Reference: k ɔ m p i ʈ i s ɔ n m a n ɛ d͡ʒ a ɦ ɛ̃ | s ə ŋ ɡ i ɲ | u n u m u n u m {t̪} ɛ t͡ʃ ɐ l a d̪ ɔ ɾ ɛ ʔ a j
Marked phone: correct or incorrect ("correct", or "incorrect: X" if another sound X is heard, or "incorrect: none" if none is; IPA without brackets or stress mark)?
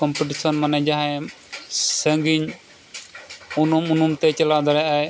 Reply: correct